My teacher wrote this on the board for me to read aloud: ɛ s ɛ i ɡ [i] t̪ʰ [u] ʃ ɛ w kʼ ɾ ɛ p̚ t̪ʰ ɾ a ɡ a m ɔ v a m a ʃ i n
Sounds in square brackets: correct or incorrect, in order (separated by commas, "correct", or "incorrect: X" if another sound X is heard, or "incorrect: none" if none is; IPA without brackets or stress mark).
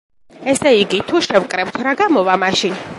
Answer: correct, correct